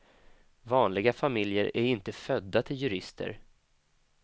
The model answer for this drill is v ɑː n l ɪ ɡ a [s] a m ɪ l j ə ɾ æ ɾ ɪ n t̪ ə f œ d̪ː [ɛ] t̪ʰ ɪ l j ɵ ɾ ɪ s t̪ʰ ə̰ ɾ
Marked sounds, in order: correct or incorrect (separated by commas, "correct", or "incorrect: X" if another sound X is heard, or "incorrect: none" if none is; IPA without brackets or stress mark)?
incorrect: f, incorrect: a